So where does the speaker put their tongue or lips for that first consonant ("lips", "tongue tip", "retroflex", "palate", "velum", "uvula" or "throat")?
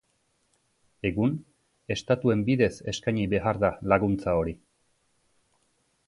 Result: velum